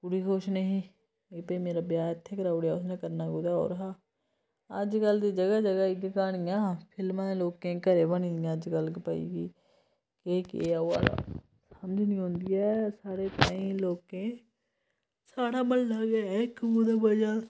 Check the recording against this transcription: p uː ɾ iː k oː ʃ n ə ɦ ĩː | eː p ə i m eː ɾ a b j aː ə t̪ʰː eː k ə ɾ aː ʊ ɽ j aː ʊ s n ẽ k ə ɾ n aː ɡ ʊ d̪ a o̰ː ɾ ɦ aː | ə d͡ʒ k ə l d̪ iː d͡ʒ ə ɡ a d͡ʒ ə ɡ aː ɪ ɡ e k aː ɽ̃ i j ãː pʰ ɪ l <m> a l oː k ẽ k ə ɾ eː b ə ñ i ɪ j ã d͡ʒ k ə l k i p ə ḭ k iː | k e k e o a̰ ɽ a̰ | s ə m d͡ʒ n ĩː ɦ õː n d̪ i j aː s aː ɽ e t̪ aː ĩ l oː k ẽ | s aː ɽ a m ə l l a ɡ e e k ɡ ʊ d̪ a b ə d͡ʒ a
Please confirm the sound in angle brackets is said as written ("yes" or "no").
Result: yes